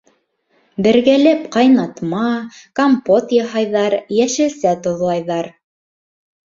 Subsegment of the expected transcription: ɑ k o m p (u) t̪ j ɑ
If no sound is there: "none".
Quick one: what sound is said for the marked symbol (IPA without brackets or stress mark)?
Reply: o